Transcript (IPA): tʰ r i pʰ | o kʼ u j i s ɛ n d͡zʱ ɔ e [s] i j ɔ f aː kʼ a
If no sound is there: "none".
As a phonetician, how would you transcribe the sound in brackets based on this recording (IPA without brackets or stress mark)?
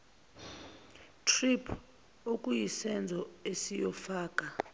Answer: s